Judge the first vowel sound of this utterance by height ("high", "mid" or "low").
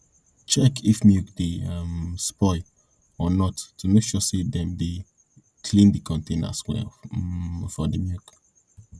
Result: mid